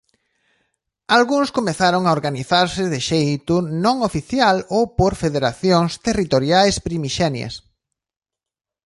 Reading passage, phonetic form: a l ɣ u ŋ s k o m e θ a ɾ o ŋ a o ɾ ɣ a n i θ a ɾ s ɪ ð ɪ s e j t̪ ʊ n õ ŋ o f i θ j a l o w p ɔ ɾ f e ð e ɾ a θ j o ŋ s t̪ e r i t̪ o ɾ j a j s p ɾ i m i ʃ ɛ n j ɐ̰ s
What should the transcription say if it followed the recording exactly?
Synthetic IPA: a l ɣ u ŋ s k o m e θ a ɾ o ŋ a o ɾ ɣ a n i θ a ɾ s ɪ ð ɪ ʃ e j t̪ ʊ n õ ŋ o f i θ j a l o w p o ɾ f e ð e ɾ a θ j o ŋ s t̪ e r i t̪ o ɾ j a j s p ɾ i m i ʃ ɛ n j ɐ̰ s

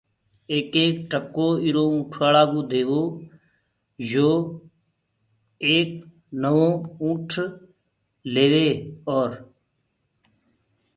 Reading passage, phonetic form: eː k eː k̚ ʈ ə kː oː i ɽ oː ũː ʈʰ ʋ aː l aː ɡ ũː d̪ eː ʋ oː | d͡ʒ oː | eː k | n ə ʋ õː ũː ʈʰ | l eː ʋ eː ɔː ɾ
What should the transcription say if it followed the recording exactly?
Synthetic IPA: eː k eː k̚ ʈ ə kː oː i ɾ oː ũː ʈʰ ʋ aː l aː ɡ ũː d̪ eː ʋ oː | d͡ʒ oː | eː k | n ə ʋ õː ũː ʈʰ | l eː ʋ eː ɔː ɾ

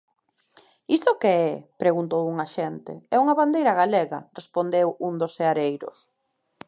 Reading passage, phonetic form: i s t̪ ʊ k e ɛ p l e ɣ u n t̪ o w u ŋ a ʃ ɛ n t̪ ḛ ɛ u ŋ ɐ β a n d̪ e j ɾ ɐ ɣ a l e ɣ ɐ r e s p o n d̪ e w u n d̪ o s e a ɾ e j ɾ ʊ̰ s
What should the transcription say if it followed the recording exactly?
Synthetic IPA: i s t̪ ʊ k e ɛ p ɾ e ɣ u n t̪ o w u ŋ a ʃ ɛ n t̪ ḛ ɛ u ŋ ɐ β a n d̪ e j ɾ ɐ ɣ a l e ɣ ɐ r e s p o n d̪ e w u n d̪ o s e a ɾ e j ɾ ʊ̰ s

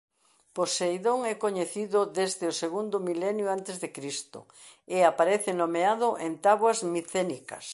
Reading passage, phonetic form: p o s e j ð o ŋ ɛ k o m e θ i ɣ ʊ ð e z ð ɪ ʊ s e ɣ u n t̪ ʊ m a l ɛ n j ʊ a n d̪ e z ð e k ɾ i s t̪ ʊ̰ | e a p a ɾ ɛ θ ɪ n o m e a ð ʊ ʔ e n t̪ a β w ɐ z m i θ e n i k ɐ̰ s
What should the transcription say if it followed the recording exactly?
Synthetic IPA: p o s e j ð o ŋ ɛ k o ɲ e θ i ð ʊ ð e z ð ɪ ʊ s e ɣ u n d̪ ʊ m i l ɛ n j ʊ a n t̪ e z ð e k ɾ i s t̪ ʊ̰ | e a p a ɾ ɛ θ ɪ n o m e a ð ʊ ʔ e n t̪ a β w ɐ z m i θ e n i k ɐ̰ s

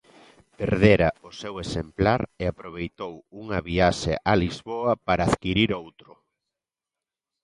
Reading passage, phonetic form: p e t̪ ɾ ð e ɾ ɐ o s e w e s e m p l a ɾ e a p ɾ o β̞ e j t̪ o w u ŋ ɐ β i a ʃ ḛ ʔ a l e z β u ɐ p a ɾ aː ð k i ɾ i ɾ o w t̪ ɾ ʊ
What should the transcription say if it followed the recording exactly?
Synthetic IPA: p e ɾ ð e ɾ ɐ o s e w e s e m p l a ɾ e a p ɾ o β̞ e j t̪ o w u ŋ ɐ β i a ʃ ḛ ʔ a l i z β o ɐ p a ɾ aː ð k i ɾ i ɾ o w t̪ ɾ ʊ

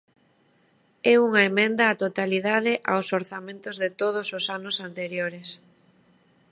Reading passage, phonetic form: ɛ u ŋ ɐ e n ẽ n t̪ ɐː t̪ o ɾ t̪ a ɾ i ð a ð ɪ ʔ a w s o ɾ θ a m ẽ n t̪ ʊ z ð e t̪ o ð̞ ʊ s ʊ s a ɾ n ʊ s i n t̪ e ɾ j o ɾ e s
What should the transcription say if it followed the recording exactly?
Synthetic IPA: ɛ u ŋ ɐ e m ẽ n d̪ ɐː t̪ o t̪ a l i ð a ð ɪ ʔ a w s o ɾ θ a m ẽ n t̪ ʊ z ð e t̪ o ð̞ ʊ s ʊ s a n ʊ s a n t̪ e ɾ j o ɾ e s

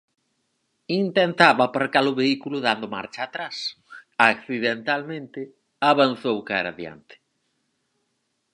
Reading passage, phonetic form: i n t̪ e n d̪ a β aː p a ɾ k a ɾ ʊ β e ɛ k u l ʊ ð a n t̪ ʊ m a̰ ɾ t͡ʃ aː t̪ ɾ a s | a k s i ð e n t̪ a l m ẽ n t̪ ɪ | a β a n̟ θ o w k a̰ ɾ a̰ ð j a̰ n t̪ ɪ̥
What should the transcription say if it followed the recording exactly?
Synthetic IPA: i n t̪ e n t̪ a β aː p a ɾ k a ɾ ʊ β e i k u l ʊ ð a n d̪ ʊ m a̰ ɾ t͡ʃ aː t̪ ɾ a s | a k θ i ð e n t̪ a l m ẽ n t̪ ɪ | a β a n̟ θ o w k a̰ ɾ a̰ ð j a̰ n t̪ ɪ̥

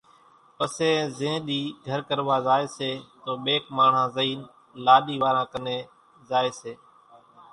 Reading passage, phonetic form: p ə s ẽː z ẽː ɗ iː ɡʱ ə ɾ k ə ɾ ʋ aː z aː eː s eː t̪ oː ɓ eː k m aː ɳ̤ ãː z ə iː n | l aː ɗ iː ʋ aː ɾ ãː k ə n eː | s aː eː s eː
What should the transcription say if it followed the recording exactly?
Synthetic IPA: p ə s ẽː z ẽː ɗ iː ɡʱ ə ɾ k ə ɾ ʋ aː z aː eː s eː t̪ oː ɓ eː k m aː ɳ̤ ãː z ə iː n | l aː ɗ iː ʋ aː ɾ ãː k ə n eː | z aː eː s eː

